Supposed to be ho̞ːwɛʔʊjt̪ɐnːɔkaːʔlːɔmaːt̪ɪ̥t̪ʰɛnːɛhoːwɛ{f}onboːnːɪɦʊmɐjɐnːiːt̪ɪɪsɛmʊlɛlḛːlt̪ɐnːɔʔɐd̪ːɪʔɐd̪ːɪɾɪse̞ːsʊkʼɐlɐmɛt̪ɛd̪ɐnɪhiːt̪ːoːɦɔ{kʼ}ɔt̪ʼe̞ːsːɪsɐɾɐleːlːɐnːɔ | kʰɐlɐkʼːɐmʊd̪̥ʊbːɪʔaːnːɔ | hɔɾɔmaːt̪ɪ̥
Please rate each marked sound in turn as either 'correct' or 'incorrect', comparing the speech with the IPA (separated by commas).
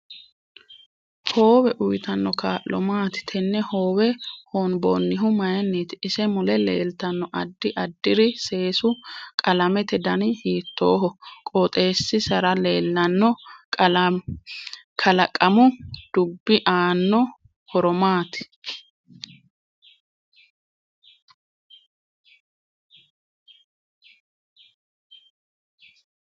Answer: incorrect, correct